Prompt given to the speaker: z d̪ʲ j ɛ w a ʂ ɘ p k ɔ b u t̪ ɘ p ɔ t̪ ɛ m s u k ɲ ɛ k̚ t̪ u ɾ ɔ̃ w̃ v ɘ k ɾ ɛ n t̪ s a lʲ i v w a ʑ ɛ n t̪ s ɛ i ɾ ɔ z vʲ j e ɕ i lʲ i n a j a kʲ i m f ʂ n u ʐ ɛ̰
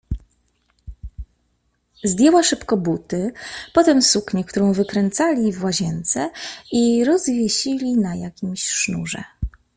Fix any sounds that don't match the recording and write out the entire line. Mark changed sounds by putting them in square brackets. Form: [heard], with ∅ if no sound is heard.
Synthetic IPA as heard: z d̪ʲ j ɛ w a ʂ ɘ p k ɔ b u t̪ ɘ p ɔ t̪ ɛ m s u k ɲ ɛ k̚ t̪ u ɾ ɔ̃ w̃ v ɘ k ɾ ɛ n t̪ s a lʲ i v w a ʑ ɛ n t̪ s ɛ i ɾ ɔ z vʲ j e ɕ i lʲ i n a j a kʲ i m [ɕ] ʂ n u ʐ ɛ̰